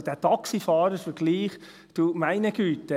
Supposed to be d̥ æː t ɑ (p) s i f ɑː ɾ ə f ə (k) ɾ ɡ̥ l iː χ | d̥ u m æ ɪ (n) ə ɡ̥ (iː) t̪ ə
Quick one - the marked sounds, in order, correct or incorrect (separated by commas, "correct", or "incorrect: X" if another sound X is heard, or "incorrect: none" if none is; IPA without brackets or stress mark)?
incorrect: k, incorrect: none, correct, incorrect: yː